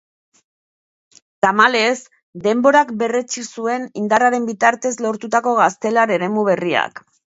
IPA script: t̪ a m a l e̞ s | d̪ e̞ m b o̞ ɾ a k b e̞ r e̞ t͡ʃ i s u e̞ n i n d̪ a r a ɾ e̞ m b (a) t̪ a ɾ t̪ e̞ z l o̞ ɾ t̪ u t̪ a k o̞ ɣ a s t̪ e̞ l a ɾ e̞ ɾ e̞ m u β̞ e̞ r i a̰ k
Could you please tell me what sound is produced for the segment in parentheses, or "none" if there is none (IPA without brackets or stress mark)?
i